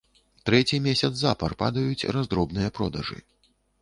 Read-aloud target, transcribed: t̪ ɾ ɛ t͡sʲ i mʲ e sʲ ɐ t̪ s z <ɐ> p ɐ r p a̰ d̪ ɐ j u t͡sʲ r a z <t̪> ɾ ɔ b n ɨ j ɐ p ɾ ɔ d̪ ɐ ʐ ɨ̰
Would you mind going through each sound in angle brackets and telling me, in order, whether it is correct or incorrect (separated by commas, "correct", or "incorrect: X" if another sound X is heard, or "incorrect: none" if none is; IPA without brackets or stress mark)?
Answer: incorrect: a, incorrect: d̪